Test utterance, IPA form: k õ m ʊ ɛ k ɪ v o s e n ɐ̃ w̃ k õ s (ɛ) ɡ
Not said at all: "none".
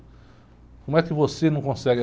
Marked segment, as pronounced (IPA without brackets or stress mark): ɛ